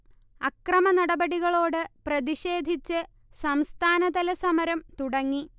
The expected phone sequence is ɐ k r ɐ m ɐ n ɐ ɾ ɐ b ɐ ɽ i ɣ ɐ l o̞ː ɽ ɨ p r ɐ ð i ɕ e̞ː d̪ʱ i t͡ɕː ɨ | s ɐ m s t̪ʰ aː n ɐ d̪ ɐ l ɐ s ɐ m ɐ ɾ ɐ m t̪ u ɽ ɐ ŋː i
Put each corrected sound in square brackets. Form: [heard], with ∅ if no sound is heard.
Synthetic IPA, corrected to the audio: ɐ k r ɐ m ɐ n ɐ [ɽ] ɐ b ɐ ɽ i ɣ ɐ [ɭ] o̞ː ɽ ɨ p r ɐ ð i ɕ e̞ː d̪ʱ i t͡ɕː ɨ | s ɐ m s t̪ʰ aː n ɐ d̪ ɐ l ɐ s ɐ m ɐ ɾ ɐ m t̪ u ɽ ɐ ŋː i